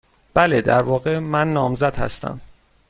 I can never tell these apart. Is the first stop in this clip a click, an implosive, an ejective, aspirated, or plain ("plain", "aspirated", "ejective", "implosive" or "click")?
plain